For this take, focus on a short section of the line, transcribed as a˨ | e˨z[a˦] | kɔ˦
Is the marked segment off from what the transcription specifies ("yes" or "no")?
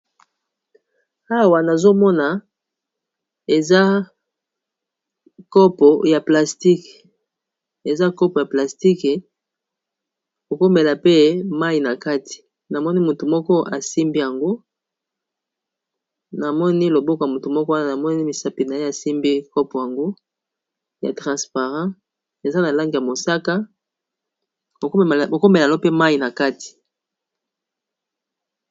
no